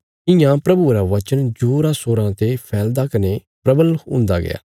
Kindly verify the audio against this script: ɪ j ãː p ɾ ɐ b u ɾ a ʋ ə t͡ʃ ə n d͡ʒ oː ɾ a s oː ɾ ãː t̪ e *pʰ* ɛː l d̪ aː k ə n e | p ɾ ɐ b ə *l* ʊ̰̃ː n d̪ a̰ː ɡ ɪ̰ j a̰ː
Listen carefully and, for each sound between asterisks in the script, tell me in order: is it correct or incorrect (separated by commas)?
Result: correct, correct